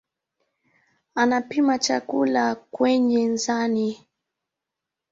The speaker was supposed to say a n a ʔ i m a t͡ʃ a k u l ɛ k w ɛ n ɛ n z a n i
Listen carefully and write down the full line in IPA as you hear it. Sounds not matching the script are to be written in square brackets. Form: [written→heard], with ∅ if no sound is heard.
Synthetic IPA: a n a [ʔ→p] i m a t͡ʃ a k u l [ɛ→a] k w ɛ [n→ɲ] ɛ n z a n i